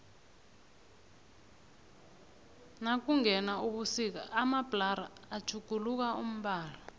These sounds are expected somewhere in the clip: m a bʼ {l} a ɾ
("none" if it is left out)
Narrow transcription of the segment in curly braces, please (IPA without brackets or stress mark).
l